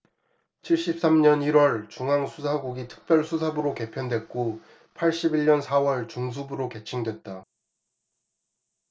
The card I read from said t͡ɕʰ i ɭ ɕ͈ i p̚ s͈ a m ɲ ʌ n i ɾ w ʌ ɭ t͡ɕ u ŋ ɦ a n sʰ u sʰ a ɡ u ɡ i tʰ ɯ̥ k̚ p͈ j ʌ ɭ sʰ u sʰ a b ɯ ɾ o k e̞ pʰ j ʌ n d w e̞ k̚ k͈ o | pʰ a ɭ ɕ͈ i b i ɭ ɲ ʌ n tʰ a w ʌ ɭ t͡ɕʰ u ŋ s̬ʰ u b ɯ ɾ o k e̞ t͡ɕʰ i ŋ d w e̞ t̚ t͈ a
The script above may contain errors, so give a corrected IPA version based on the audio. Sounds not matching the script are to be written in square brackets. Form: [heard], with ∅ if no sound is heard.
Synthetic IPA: t͡ɕʰ i ɭ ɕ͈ i p̚ s͈ a m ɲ ʌ n i ɾ w ʌ ɭ t͡ɕ u ŋ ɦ a [ŋ] sʰ u sʰ a ɡ u ɡ i tʰ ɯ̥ k̚ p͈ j ʌ ɭ sʰ u sʰ a b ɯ ɾ o k e̞ pʰ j ʌ n d w e̞ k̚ k͈ o | pʰ a ɭ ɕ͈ i b i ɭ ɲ ʌ n [sʰ] a w ʌ ɭ [t͡ɕ] u ŋ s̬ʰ u b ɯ ɾ o k e̞ t͡ɕʰ i ŋ d w e̞ t̚ t͈ a